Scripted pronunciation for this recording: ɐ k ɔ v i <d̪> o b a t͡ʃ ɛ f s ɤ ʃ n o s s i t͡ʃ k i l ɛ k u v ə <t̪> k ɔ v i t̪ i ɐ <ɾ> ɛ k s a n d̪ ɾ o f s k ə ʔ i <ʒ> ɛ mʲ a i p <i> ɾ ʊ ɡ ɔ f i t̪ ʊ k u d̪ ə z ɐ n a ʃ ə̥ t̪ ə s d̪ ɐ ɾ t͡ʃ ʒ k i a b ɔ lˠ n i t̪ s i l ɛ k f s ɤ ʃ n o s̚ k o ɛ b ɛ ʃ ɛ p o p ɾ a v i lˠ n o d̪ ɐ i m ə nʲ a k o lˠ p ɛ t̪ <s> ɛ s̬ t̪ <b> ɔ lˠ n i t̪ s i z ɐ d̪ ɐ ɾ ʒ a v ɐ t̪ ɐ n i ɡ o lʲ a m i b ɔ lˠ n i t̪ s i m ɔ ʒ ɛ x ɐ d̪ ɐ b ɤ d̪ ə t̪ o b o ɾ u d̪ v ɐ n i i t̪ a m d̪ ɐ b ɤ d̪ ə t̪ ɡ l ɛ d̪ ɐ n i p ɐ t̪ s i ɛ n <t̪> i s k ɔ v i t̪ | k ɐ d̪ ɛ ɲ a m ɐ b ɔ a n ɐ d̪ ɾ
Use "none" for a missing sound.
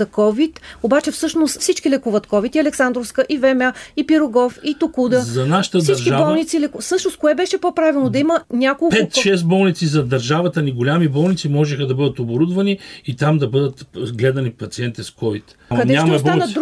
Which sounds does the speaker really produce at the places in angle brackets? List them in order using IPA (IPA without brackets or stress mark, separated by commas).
t̪, t̪, l, v, i, ʃ, b, t̪